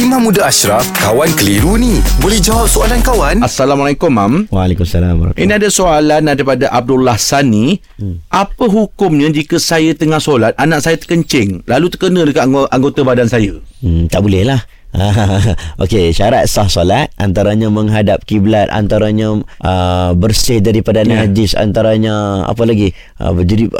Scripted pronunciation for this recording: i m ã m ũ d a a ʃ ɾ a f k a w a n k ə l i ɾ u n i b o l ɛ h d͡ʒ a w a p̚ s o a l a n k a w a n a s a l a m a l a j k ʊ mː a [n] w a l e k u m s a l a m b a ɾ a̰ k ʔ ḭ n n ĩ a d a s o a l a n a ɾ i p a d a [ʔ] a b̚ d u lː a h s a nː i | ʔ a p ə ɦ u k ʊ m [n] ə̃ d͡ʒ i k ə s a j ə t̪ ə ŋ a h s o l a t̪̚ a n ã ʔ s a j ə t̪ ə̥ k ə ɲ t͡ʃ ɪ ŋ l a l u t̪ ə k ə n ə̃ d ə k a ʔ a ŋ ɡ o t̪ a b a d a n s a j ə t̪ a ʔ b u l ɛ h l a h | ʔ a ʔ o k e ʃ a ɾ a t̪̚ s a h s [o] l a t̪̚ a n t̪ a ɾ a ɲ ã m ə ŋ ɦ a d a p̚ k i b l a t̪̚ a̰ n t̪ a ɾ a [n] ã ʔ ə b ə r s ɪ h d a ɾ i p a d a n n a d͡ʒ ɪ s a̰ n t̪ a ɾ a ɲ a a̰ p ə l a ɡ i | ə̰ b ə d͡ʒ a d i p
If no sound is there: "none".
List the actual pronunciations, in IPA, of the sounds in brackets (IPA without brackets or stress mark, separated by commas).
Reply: m, ʔ, ɲ, o, ɲ